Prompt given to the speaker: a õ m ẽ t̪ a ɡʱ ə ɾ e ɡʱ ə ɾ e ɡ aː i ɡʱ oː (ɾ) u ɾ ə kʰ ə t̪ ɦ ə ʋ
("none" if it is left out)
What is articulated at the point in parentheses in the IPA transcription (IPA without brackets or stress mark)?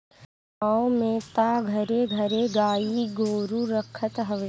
ɾ